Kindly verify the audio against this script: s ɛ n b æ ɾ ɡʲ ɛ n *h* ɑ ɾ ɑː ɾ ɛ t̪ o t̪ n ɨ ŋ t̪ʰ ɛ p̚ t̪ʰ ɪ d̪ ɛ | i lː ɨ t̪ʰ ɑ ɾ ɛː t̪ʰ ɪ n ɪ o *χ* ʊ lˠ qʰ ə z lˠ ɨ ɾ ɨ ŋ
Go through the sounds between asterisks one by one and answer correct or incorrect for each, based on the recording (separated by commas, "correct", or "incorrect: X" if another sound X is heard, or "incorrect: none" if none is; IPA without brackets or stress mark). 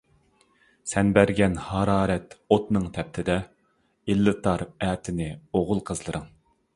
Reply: correct, incorrect: ʁ